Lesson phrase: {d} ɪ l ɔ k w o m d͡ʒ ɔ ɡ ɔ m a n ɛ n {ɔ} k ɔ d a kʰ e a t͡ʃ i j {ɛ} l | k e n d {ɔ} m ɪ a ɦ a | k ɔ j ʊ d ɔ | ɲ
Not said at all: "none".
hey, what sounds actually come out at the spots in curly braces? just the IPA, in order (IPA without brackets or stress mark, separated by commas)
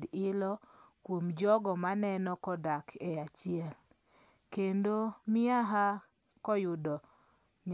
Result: d, ɔ, ɛ, o